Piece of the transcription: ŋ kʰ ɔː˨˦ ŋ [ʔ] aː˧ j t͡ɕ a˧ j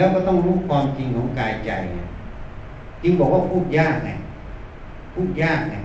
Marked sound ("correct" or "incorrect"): incorrect